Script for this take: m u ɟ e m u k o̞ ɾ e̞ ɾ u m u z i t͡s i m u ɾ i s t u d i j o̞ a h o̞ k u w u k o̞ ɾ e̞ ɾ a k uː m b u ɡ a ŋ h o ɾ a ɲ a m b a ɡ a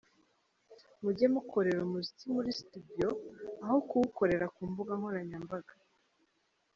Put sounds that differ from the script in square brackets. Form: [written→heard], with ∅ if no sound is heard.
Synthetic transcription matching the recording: m u ɟ e m u k o̞ ɾ e̞ ɾ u m u z i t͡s i m u ɾ i s t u d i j o̞ a h o̞ k u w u k o̞ ɾ e̞ ɾ a k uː m b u ɡ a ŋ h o ɾ a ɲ a m b a ɡ a